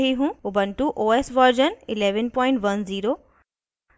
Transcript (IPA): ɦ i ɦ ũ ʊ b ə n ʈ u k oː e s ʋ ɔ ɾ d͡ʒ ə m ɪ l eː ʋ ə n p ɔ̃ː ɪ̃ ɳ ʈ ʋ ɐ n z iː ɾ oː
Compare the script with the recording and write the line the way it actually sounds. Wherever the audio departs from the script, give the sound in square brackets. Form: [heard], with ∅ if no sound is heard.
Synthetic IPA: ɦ i ɦ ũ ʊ b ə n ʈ u [ʔ] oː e s ʋ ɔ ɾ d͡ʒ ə [n] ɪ l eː ʋ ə n p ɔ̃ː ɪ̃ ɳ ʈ ʋ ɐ n z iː ɾ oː